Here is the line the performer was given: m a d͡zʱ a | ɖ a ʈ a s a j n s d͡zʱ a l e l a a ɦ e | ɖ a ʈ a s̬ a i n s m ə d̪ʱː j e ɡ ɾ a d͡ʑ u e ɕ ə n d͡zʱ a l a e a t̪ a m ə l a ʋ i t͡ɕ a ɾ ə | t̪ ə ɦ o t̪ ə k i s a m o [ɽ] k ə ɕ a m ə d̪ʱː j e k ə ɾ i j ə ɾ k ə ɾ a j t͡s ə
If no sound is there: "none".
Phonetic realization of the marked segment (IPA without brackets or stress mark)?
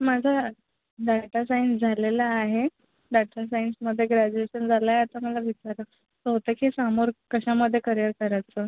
ɾ